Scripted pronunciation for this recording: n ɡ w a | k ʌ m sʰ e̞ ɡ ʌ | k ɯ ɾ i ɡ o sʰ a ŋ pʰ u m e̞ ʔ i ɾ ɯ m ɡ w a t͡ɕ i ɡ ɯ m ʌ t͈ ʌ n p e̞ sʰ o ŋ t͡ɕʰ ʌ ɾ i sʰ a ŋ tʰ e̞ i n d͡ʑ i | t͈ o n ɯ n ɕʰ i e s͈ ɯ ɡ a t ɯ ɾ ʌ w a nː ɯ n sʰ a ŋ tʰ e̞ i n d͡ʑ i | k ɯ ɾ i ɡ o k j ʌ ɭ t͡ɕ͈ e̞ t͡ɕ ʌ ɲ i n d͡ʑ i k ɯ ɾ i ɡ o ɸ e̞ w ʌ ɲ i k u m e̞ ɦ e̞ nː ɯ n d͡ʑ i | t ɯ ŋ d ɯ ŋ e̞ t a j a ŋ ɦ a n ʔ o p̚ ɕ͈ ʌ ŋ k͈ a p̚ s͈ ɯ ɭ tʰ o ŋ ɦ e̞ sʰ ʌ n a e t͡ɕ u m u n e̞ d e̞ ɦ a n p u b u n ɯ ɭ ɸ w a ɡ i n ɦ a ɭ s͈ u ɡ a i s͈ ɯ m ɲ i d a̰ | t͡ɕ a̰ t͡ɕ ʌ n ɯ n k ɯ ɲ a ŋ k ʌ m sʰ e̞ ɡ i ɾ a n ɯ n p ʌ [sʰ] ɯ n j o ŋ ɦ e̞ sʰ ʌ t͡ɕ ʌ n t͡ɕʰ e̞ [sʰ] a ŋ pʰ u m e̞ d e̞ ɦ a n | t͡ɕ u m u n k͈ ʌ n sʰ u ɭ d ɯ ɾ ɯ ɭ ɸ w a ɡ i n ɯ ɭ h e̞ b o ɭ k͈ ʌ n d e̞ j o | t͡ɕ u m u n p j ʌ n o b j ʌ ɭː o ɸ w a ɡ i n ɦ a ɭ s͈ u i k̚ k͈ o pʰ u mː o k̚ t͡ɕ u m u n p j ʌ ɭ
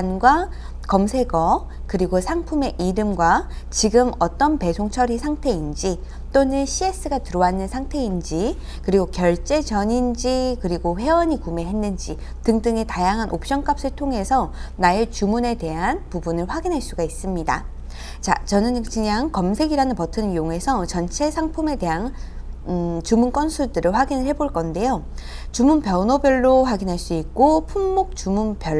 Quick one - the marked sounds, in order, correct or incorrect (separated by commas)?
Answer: incorrect, correct